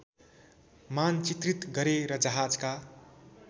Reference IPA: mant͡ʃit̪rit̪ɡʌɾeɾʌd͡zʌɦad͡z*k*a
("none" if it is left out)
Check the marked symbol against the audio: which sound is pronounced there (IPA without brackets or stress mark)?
k